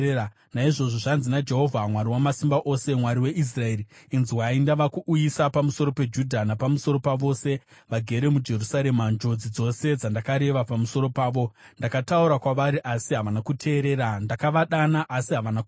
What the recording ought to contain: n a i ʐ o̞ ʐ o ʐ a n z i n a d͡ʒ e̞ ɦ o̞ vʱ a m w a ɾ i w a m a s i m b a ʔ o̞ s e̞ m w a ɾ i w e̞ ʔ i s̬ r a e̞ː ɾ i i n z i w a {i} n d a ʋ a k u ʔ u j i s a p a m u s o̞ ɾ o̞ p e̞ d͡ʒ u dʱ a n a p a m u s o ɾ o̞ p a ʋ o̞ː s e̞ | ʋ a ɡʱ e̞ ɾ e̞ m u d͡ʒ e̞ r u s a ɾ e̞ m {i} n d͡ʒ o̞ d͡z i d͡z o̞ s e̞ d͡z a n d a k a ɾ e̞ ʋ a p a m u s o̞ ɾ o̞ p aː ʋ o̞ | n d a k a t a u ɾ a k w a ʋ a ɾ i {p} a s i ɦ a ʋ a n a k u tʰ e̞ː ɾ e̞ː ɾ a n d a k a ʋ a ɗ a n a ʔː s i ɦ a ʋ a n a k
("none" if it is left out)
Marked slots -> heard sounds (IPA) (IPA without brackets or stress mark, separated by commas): i, a, ʔ